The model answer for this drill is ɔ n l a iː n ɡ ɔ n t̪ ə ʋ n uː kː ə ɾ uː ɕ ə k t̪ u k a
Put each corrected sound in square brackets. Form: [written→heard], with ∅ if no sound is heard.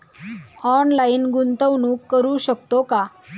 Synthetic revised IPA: ɔ n l a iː n ɡ [ɔ→u] n t̪ ə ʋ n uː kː ə ɾ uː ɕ ə k t̪ [u→o] k a